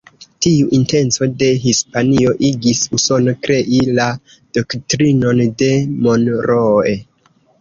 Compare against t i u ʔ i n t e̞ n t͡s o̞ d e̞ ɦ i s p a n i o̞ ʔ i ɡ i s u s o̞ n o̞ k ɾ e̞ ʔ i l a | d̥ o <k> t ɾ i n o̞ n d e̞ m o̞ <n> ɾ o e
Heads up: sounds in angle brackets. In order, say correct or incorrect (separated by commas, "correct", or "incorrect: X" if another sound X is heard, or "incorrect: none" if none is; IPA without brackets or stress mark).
correct, correct